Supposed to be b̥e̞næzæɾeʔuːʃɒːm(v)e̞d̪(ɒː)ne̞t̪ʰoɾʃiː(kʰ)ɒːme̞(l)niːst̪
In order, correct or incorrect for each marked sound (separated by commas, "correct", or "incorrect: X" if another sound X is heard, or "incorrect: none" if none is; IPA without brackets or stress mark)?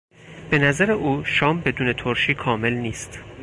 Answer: incorrect: b, incorrect: uː, correct, correct